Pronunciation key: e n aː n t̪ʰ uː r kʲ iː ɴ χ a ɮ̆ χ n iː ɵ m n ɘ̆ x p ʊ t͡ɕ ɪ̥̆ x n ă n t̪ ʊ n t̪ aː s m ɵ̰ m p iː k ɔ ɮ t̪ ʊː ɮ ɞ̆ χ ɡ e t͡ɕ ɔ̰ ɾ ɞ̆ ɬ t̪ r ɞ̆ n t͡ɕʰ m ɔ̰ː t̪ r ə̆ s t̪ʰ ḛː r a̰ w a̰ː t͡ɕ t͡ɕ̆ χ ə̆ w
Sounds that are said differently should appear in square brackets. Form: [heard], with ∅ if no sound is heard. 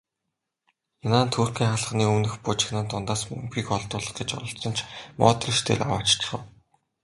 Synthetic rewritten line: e n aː n t̪ʰ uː r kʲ iː [ŋ] χ a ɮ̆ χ n iː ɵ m n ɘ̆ x p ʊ t͡ɕ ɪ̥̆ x n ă n t̪ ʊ n t̪ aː s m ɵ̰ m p iː k ɔ ɮ t̪ ʊː ɮ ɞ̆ χ ɡ e t͡ɕ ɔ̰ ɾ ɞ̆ ɬ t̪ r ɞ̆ n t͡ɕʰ m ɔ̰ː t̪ r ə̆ [ʃ] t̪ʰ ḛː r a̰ w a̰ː t͡ɕ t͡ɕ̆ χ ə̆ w